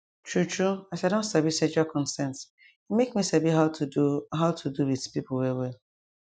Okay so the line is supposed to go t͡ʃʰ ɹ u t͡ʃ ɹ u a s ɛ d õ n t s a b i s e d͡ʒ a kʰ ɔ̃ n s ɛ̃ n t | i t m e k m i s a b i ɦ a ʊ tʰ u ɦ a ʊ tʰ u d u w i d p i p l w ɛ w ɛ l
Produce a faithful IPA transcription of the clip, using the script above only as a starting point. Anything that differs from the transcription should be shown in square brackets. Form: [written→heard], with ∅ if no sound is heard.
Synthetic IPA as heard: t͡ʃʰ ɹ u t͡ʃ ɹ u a s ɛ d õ n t s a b i s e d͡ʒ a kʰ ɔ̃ n s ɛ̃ n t | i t m e k m i s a b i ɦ a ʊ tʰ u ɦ a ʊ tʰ u d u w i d p i p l w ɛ w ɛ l